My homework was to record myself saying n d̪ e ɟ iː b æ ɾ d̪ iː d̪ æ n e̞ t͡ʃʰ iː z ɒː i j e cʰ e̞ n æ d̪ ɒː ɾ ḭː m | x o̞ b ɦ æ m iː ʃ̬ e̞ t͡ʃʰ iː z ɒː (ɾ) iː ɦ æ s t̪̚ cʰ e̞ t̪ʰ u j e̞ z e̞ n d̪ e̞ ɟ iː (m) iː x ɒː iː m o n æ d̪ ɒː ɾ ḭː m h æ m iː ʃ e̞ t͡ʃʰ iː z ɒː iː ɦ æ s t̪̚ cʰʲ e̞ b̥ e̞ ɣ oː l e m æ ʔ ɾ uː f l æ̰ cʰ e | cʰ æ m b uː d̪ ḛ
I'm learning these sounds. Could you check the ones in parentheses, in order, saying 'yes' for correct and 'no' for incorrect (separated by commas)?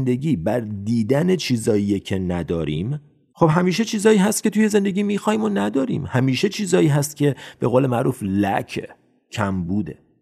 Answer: no, yes